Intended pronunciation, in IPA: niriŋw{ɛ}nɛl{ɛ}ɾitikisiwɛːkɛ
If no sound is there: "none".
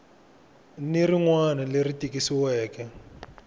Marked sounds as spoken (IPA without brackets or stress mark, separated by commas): a, e